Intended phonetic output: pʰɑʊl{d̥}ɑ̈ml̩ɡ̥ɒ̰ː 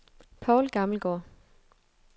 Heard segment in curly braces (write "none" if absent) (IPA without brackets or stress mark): ɡ̥